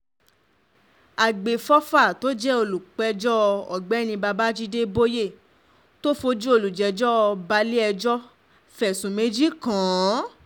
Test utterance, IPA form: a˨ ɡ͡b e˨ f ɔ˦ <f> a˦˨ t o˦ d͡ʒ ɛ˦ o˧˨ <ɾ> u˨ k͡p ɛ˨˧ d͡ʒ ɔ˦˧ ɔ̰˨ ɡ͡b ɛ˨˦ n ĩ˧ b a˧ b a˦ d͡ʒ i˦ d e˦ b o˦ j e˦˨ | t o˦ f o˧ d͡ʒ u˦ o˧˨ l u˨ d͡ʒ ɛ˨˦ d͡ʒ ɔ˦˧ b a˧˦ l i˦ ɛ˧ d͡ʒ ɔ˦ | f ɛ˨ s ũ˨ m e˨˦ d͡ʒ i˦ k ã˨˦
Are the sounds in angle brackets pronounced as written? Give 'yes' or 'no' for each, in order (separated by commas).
yes, no